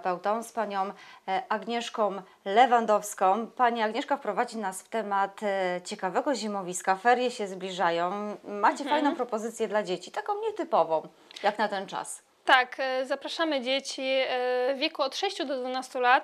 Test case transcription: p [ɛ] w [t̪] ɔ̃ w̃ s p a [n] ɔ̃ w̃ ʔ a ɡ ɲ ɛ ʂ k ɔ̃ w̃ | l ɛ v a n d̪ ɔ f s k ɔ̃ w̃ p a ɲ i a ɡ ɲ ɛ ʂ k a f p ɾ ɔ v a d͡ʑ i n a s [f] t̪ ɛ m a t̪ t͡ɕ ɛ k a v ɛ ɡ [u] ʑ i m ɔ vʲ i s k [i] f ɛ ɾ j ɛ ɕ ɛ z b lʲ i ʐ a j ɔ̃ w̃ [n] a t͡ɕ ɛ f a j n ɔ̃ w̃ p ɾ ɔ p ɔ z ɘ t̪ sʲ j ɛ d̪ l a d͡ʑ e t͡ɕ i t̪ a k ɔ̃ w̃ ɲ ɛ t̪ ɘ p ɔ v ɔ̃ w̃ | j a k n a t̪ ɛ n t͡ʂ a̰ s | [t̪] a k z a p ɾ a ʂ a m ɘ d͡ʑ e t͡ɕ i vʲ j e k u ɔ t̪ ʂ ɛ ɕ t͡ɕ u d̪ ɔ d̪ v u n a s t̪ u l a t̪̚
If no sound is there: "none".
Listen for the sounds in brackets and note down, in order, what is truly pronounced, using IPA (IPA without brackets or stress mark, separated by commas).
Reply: ɛ, t̪, ɲ, f, ɔ, a, m, t̪